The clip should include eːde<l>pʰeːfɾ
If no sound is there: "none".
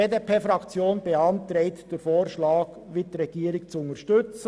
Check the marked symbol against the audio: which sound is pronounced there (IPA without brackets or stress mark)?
none